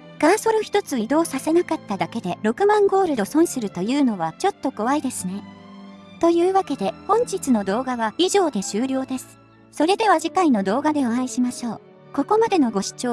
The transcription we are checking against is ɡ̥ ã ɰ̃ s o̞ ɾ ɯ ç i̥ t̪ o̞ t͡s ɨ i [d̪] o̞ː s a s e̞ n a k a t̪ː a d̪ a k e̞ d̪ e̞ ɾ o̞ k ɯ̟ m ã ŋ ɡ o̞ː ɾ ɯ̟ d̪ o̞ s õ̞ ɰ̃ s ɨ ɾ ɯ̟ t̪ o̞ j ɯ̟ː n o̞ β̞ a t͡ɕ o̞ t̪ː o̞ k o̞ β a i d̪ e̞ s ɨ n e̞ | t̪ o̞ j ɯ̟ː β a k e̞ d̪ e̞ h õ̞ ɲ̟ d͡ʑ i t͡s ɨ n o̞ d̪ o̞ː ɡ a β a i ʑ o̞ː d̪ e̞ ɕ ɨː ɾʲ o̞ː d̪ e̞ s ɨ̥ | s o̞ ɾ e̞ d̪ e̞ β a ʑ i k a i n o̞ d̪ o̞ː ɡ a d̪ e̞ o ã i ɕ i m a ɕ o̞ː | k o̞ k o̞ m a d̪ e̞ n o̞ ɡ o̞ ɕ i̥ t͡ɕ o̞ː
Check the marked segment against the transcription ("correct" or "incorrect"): correct